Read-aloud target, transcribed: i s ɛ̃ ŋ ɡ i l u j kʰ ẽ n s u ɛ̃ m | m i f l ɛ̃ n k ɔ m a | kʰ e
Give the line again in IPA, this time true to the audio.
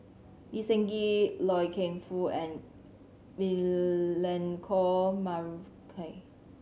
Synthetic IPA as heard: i s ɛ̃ ŋ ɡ i l ɔ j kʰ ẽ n f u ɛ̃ n | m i l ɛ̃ n kʰ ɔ m a | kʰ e

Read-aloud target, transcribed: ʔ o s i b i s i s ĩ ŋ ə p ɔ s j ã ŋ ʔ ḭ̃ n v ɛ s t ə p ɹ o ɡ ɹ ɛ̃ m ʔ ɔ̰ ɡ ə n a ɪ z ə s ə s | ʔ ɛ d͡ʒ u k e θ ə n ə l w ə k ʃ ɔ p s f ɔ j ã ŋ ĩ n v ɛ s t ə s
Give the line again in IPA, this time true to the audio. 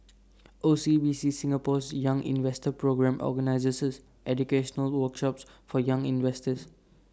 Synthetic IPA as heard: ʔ o s i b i s i s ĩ ŋ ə p ɔ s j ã ŋ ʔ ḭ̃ n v ɛ s t ə p ɹ o ɡ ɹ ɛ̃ m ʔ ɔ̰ ɡ ə n a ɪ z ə s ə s | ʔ ɛ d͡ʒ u k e ʃ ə n ə l w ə k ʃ ɔ p s f ɔ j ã ŋ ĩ n v ɛ s t ə s

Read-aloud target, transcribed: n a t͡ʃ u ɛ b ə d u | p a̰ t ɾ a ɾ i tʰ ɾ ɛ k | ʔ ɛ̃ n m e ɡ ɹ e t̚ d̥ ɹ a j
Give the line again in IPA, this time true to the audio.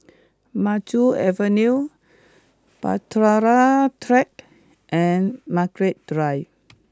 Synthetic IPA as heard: m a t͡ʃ u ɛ v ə n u | p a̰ t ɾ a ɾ a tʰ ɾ ɛ k | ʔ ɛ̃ n m a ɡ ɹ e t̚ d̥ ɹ a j

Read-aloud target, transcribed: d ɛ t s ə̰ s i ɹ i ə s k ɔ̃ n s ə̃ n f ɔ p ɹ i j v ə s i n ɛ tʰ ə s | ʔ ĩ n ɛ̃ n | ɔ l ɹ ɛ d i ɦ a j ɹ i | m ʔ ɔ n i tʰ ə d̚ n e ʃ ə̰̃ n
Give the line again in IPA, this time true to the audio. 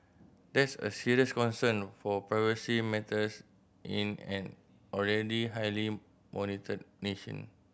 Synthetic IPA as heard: d ɛ t s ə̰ s i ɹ i ə s k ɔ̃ n s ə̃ n f ɔ p ɹ a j v ə s i m ɛ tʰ ə s | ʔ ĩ n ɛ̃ n | ɔ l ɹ ɛ d i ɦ a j l i | m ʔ ɔ n i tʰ ə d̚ n e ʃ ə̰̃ n

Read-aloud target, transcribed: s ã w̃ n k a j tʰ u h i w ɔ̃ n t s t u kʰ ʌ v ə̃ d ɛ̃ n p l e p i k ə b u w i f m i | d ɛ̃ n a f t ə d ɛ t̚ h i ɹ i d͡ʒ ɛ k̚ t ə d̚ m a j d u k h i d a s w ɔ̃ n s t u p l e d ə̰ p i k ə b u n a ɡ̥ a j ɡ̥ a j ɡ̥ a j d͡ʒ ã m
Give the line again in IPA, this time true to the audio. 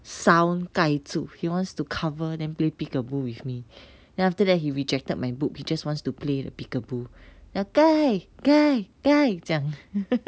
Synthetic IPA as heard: s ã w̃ n k a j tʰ u h i w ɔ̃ n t s t u kʰ a v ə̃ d ɛ̃ n p l e p i k ə b u w i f m i | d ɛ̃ n a f t ə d ɛ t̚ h i ɹ i d͡ʒ ɛ k̚ t ə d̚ m a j b u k h i d͡ʒ a s w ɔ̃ n s t u p l e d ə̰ p i k ə b u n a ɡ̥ a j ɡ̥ a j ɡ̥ a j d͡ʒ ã ŋ

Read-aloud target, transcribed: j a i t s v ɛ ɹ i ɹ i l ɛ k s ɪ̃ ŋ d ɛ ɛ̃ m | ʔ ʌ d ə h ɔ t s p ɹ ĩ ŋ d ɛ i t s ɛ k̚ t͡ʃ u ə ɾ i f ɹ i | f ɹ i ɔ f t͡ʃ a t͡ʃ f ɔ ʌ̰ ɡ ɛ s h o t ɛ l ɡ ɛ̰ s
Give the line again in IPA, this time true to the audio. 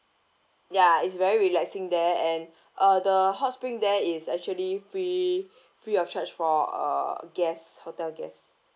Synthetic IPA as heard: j a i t s v ɛ ɹ i ɹ i l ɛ k s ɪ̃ ŋ d ɛ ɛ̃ n | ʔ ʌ d ə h ɔ t s p ɹ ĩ ŋ d ɛ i s ɛ k̚ t͡ʃ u ə l i f ɹ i | f ɹ i ɔ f t͡ʃ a t͡ʃ f ɔ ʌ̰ ɡ ɛ s h o t ɛ l ɡ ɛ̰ s

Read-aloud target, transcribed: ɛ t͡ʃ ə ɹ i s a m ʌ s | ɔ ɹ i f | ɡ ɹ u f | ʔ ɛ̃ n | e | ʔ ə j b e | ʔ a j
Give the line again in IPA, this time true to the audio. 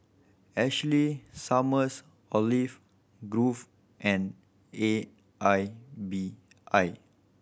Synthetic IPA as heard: ɛ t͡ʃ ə l i s a m ə s | ɔ l i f | ɡ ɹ u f | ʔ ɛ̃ n | e | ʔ a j b i | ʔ a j

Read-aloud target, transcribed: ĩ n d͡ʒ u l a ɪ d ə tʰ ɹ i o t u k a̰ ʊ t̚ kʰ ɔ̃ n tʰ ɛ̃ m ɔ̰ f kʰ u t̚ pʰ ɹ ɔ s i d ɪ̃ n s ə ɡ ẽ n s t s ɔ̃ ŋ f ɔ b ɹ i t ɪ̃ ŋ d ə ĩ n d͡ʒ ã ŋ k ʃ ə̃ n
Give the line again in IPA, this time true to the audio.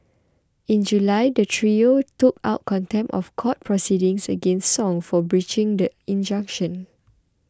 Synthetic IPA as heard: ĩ n d͡ʒ u l a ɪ d ə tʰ ɹ i o t u k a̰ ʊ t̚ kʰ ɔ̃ n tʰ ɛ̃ m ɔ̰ f kʰ ɔ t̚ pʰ ɹ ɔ s i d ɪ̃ ŋ s ə ɡ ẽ n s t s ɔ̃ ŋ f ɔ b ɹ i t͡ʃ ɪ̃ ŋ d ə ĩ n d͡ʒ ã ŋ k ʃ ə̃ n

